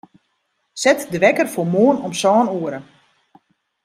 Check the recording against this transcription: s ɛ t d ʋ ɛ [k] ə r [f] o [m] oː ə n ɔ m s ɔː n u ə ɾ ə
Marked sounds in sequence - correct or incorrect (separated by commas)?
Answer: correct, correct, correct